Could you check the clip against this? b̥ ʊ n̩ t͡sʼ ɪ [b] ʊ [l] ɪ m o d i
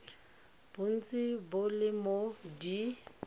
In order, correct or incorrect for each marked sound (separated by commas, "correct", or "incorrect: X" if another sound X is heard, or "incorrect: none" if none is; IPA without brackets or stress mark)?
correct, correct